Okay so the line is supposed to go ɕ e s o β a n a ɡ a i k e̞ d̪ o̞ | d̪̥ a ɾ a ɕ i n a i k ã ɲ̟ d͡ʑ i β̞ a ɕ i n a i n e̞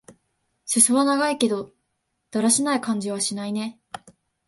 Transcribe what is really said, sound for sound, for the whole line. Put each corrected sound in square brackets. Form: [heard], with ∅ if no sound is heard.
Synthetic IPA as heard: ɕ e s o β a n a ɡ a i k e̞ d̪ o̞ | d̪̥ a ɾ a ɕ i n a i k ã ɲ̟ d͡ʑ i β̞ a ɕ i n a i n e̞